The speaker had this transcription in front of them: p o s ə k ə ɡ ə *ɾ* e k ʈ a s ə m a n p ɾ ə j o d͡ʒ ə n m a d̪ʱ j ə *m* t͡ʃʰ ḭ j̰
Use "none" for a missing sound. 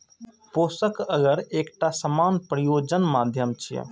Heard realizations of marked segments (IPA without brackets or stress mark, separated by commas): ɾ, m